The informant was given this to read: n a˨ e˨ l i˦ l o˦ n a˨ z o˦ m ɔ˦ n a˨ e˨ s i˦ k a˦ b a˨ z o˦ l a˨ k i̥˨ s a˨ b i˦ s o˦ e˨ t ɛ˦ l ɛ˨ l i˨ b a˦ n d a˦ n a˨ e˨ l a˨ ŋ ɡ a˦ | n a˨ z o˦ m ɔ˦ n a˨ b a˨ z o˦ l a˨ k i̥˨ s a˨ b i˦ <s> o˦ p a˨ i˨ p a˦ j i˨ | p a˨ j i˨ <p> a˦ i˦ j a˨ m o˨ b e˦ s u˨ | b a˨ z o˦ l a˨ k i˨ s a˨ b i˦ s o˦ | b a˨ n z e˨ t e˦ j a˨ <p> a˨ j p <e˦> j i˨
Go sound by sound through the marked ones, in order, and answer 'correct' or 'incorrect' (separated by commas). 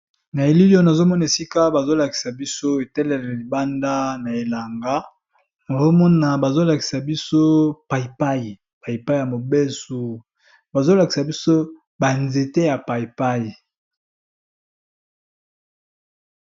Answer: correct, correct, correct, incorrect